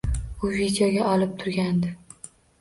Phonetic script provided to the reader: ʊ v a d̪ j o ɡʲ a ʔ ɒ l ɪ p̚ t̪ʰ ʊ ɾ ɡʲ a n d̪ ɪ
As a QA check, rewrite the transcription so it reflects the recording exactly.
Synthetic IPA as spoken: ʊ v i d̪ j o ɡʲ a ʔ ɒ l ɪ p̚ t̪ʰ ʊ ɾ ɡʲ a n d̪ ɪ